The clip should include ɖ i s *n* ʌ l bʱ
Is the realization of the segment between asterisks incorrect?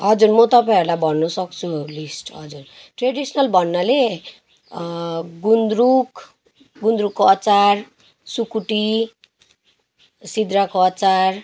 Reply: no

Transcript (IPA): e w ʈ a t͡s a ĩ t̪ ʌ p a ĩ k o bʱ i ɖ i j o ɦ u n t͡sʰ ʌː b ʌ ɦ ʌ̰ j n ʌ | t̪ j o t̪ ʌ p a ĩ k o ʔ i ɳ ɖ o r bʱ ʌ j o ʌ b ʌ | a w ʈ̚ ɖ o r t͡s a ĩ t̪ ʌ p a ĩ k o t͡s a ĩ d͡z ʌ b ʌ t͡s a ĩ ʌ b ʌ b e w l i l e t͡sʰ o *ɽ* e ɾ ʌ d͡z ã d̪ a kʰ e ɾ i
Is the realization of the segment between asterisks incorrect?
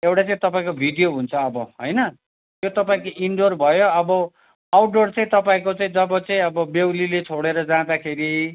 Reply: no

